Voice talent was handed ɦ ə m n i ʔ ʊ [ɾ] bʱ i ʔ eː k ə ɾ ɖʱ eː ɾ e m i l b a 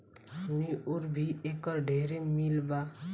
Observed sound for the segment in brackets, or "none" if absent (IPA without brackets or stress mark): ɾ